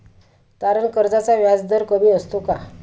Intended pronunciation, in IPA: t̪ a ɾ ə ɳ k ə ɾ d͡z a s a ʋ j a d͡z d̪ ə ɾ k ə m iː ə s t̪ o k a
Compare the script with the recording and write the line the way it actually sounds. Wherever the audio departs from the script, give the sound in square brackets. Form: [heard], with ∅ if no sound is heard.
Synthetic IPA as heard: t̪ a ɾ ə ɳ k ə ɾ d͡z a [t͡s] a ʋ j a d͡z d̪ ə ɾ k ə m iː ə s t̪ o k a